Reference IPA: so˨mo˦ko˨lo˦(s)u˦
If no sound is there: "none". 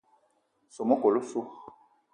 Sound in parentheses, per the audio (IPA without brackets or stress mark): s